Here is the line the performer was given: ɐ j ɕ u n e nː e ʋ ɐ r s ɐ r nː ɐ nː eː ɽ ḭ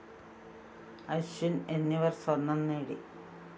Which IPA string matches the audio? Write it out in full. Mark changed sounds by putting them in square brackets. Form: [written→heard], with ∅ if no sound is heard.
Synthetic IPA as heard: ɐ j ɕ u n e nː [e→i] ʋ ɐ r s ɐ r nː ɐ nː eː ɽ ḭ